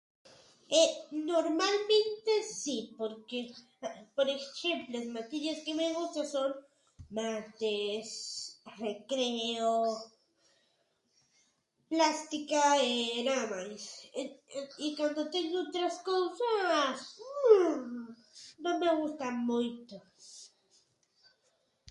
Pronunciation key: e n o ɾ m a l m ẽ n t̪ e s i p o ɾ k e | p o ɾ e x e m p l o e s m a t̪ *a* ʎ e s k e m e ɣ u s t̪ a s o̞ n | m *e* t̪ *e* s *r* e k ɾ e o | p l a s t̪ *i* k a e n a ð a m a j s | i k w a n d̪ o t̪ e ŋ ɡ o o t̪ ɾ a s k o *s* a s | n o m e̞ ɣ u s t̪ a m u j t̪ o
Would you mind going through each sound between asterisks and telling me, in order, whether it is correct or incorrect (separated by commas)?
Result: incorrect, incorrect, correct, correct, correct, correct